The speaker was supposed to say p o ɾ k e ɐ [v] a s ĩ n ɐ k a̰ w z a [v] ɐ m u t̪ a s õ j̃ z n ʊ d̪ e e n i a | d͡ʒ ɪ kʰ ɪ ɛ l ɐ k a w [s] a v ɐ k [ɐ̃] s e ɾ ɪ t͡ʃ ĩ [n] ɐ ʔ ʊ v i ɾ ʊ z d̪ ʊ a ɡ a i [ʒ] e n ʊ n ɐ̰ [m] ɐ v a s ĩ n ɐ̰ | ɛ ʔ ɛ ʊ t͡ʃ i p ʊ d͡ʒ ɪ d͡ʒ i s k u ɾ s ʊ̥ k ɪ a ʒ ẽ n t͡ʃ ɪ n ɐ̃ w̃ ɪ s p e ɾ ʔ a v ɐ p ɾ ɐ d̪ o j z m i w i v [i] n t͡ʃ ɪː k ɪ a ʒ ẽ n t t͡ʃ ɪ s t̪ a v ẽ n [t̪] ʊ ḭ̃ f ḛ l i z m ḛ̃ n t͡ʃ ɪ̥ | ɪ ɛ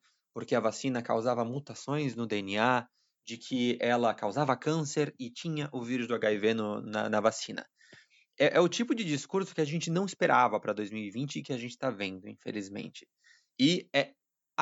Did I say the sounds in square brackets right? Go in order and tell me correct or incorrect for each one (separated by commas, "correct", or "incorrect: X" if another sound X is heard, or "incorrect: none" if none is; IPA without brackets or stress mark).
correct, correct, incorrect: z, correct, incorrect: ɲ, incorrect: v, incorrect: n, incorrect: ĩ, incorrect: d̪